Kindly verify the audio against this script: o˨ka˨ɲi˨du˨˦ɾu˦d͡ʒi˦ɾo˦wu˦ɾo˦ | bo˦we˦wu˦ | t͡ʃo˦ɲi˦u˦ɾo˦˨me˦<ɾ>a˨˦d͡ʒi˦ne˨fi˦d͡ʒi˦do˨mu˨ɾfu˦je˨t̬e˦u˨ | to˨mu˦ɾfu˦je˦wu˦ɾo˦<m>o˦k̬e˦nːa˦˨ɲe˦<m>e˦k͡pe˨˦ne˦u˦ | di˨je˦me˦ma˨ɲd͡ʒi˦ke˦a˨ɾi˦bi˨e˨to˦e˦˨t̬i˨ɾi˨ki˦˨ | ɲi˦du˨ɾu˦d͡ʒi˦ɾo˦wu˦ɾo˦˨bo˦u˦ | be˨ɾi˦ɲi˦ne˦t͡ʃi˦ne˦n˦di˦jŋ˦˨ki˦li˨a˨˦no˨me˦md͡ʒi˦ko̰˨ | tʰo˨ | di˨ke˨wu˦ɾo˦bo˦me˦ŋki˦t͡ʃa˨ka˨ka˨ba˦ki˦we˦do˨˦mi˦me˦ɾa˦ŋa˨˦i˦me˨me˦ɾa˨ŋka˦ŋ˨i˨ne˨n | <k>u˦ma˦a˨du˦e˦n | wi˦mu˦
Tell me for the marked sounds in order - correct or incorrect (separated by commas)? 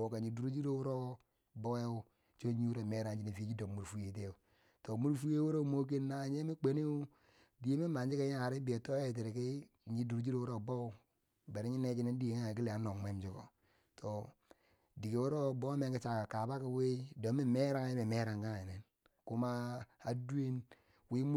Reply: correct, correct, correct, correct